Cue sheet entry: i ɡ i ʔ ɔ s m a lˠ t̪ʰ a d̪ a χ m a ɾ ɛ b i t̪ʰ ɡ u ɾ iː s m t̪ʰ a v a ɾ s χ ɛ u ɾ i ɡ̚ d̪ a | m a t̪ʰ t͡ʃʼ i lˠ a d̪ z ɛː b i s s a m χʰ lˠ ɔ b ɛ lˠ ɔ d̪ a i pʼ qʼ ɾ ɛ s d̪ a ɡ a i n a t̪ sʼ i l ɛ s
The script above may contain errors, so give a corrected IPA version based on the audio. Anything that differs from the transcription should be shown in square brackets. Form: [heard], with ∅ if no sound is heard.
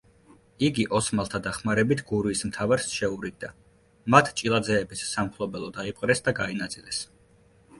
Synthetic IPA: i ɡ i ʔ ɔ s m a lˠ t̪ʰ a d̪ a χ m a ɾ ɛ b i t̪ʰ ɡ u ɾ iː s m t̪ʰ a v a ɾ s [ʃ] ɛ u ɾ i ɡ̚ d̪ a | m a t̪ʰ t͡ʃʼ i lˠ a d̪ z ɛː b i s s a m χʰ lˠ ɔ b ɛ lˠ ɔ d̪ a i pʼ qʼ ɾ ɛ s d̪ a ɡ a i n a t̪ sʼ i l ɛ s